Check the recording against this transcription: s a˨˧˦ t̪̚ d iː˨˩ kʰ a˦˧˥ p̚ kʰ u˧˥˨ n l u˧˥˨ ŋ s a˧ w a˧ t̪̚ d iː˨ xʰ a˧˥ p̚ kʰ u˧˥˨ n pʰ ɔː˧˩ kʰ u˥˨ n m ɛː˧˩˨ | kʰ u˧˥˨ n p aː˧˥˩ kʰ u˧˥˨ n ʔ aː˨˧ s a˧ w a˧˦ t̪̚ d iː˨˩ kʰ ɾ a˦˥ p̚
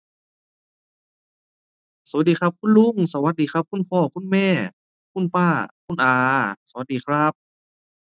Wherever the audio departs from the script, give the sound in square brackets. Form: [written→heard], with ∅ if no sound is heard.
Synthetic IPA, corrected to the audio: s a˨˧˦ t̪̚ d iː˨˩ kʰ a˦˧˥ p̚ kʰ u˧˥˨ n l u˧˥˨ ŋ s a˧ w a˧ t̪̚ d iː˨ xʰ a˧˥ p̚ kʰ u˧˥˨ n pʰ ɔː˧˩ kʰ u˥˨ n m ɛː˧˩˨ | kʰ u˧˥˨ n p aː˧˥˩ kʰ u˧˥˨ n ʔ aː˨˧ s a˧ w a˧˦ t̪̚ d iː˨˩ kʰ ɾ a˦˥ p̚

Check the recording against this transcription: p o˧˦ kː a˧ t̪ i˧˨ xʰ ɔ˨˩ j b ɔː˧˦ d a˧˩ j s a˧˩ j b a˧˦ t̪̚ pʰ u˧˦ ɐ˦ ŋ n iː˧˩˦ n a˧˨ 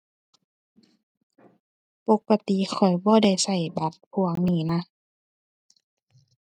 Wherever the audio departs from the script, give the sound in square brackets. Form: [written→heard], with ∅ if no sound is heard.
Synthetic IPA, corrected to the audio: p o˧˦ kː a˧ t̪ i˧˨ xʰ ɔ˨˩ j b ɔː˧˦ d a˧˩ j s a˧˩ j b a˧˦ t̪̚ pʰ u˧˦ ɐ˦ ŋ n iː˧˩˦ n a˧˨

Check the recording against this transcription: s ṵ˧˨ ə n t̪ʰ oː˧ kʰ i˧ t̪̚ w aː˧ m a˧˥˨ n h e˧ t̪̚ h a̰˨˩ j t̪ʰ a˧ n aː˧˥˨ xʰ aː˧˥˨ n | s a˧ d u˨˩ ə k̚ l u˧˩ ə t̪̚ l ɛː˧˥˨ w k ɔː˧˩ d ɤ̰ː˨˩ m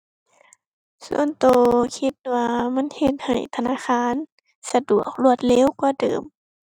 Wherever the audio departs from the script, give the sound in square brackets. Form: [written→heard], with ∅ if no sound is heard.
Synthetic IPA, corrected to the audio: s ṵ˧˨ ə n [t̪ʰ→t̪] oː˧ kʰ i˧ t̪̚ w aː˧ m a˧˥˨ n h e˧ t̪̚ h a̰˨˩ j t̪ʰ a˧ n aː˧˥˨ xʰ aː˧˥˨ n | s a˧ d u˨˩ ə k̚ l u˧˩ ə t̪̚ l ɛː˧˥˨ w k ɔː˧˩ d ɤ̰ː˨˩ m

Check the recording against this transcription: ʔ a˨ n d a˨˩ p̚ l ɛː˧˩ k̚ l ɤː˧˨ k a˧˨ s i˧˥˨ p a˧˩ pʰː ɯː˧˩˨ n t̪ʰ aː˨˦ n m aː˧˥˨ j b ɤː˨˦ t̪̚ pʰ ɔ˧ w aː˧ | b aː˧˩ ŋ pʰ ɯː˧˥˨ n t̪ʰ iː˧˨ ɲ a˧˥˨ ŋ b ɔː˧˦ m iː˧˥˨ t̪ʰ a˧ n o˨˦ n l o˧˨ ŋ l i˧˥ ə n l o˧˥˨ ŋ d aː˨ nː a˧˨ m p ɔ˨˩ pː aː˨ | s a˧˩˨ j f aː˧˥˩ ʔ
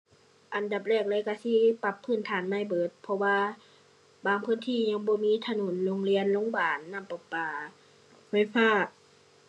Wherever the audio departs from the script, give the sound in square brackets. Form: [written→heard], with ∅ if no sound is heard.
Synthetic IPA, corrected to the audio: ʔ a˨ n d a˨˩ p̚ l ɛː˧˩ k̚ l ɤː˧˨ k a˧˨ s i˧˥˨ p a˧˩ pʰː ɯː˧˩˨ n t̪ʰ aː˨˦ n m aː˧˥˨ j b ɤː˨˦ t̪̚ pʰ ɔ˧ w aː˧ | b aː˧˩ ŋ pʰ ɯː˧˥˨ n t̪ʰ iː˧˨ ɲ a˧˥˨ ŋ b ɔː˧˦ m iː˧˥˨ t̪ʰ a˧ n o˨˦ n l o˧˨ ŋ l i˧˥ ə n l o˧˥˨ ŋ [d→b] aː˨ nː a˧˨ m p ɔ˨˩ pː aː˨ | [s→f] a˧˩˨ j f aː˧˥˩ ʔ

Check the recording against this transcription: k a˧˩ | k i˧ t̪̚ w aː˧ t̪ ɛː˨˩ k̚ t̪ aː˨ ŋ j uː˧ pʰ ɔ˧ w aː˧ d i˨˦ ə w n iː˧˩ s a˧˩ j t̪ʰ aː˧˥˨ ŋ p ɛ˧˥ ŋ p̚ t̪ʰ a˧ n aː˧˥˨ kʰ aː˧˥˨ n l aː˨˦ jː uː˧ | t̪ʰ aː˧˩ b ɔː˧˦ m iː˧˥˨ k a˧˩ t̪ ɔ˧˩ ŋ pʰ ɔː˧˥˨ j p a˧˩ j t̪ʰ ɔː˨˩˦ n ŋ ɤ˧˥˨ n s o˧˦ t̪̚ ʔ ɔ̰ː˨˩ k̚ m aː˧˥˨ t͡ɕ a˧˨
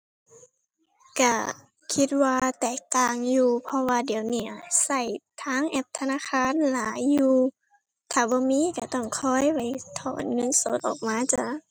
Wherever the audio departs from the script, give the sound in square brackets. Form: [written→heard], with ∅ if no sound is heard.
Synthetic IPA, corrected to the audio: k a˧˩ | [k→kʰ] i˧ t̪̚ w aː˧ t̪ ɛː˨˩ k̚ t̪ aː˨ ŋ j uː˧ pʰ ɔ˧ w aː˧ d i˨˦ ə w n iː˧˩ s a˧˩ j t̪ʰ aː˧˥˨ ŋ [p→ʔ] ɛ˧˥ [ŋ→∅] p̚ t̪ʰ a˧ n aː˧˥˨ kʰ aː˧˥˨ n l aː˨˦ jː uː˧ | t̪ʰ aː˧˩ b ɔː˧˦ m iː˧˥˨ k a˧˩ t̪ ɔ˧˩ ŋ [pʰ→kʰ] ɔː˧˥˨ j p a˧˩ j t̪ʰ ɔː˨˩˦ n ŋ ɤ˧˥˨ n s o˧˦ t̪̚ ʔ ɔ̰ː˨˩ k̚ m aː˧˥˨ t͡ɕ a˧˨

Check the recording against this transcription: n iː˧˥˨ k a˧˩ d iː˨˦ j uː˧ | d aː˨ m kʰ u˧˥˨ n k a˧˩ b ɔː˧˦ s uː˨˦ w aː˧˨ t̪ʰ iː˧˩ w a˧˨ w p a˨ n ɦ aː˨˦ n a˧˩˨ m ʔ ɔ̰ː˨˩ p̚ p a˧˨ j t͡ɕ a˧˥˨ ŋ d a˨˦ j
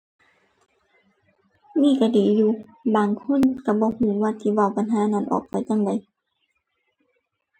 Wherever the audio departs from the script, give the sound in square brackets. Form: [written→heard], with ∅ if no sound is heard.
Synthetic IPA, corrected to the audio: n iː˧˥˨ k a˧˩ d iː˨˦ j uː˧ | [d→b] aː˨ [m→ŋ] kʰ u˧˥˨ n k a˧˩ b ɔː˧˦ [s→h] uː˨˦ w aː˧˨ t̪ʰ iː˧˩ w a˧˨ w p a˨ n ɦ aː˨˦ n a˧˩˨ [m→n] ʔ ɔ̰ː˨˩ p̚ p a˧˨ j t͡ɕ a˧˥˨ ŋ d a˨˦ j

